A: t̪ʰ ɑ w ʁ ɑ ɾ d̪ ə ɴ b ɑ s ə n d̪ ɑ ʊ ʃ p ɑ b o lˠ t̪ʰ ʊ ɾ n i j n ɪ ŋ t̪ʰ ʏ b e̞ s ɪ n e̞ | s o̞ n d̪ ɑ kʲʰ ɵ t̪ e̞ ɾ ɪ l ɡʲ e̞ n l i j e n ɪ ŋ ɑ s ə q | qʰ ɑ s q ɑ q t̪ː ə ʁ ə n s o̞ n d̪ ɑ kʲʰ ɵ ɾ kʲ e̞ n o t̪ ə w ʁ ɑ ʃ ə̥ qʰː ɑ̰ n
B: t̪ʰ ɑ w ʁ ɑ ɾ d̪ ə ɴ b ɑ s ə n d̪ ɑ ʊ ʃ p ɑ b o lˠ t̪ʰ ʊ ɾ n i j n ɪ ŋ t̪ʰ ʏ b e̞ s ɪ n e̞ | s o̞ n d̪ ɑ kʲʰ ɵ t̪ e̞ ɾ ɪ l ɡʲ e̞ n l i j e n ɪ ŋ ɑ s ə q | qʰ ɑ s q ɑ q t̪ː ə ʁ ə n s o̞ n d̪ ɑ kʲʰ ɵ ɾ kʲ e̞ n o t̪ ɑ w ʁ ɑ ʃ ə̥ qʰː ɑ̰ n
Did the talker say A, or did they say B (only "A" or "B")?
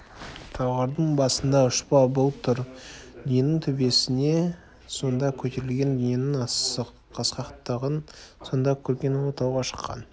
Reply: B